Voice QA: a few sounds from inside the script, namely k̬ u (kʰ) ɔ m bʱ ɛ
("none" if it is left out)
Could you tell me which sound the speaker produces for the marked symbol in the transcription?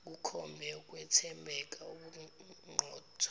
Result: kʰ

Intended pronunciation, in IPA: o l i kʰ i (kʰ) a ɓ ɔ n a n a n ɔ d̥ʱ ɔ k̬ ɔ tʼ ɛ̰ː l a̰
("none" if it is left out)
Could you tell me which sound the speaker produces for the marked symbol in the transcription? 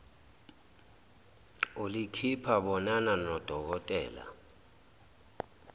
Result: pʰ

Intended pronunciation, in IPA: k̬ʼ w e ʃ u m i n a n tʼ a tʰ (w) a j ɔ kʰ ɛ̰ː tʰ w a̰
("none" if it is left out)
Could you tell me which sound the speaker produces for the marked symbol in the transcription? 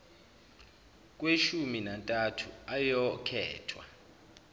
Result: u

